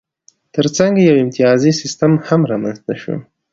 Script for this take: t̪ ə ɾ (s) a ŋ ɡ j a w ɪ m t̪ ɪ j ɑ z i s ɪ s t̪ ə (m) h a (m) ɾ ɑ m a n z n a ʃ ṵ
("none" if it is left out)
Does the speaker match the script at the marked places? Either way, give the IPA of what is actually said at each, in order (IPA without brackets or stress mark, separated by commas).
t͡s, m, m